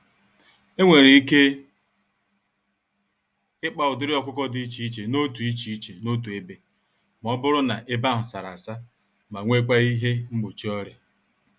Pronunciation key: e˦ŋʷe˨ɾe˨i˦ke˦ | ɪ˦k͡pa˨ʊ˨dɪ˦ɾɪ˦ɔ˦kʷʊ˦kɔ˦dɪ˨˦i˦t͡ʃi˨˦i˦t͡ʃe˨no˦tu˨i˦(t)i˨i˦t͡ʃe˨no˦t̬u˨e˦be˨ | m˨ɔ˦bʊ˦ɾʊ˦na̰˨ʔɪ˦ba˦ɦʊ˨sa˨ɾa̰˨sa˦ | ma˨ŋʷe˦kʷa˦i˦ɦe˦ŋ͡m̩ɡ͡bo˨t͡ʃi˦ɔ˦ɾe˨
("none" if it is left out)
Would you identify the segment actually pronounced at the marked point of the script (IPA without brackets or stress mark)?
t͡ʃ